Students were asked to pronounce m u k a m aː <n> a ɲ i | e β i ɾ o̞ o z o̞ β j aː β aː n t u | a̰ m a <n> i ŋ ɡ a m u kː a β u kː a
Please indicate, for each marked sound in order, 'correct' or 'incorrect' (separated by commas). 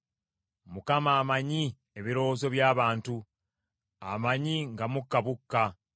incorrect, incorrect